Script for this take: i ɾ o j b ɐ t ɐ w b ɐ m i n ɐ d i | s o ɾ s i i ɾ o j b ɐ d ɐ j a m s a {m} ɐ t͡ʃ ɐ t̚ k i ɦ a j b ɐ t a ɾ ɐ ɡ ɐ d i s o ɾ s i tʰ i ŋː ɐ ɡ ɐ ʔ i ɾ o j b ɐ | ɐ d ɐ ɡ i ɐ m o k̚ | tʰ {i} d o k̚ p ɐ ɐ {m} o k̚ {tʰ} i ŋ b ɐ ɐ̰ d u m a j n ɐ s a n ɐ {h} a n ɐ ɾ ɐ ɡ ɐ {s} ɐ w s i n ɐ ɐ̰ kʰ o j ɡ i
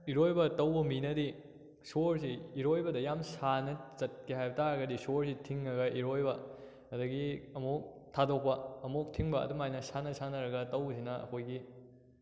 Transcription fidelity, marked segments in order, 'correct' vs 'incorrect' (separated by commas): incorrect, incorrect, correct, correct, incorrect, incorrect